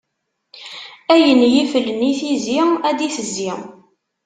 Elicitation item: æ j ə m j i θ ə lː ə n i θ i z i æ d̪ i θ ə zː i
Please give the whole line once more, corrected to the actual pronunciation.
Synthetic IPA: æ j ə n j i f ə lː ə n i θ i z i æ d̪ i θ ə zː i